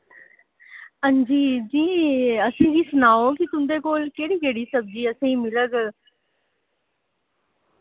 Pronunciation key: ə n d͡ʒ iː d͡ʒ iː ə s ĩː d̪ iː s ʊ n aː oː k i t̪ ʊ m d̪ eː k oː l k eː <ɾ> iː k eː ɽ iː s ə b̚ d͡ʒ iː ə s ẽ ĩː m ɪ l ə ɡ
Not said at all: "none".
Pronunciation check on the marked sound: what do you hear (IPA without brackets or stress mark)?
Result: ɽ